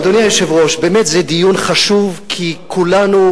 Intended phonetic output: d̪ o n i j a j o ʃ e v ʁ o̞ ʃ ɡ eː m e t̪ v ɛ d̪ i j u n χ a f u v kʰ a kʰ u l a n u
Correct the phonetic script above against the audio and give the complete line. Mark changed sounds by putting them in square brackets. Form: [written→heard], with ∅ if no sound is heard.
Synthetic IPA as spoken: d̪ o n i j a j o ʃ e v ʁ o̞ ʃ [ɡ→b] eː m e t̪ [v→z] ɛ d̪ i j u n χ a [f→ʃ] u v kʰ [a→i] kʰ u l a n u